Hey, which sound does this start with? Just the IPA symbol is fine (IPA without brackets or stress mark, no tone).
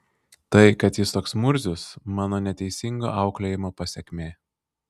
t̪